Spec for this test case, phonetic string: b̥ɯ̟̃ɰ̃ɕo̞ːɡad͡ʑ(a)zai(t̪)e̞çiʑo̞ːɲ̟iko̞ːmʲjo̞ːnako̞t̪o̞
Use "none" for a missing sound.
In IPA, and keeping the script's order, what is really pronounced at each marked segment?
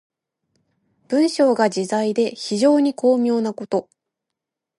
i, d̪

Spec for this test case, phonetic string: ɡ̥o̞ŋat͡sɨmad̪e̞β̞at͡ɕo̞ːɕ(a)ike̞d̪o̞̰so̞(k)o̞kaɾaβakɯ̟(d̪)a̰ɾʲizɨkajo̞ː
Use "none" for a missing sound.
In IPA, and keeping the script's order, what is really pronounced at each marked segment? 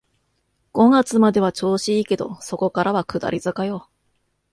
i, k, d̪

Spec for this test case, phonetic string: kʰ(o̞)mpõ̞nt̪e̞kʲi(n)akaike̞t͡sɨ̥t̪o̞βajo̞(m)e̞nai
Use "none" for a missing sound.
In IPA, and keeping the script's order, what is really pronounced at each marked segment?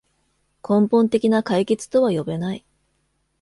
õ̞, n, b

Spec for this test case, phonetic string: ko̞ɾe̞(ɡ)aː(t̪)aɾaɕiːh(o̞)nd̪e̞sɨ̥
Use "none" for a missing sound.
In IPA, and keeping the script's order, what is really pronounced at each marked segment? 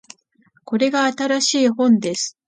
ɡ, t̪, õ̞

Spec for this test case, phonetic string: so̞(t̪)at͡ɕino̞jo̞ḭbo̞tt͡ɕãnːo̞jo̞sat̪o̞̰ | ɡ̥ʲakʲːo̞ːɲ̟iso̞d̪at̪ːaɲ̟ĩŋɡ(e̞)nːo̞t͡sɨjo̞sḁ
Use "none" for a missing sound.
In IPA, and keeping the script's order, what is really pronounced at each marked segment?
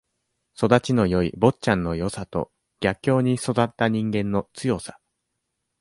d̪, ẽ̞

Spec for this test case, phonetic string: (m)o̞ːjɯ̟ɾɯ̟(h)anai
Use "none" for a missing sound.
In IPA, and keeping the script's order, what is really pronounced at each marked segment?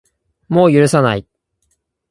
m, s

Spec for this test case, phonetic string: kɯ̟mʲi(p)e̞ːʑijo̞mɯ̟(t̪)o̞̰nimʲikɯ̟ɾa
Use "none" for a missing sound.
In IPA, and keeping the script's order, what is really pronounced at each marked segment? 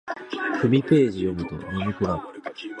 p, t̪

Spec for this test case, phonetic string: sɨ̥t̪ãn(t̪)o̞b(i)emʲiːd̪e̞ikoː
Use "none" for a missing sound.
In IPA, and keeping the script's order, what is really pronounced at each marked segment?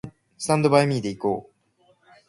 d̪, a

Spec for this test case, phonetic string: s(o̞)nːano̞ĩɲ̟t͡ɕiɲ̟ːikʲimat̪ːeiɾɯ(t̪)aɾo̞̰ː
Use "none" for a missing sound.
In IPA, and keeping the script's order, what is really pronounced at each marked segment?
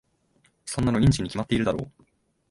o̞, d̪

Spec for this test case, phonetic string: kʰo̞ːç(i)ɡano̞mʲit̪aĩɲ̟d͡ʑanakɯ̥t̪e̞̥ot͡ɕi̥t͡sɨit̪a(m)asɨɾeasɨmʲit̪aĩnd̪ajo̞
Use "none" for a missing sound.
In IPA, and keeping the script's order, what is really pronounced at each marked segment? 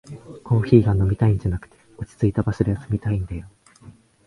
iː, b

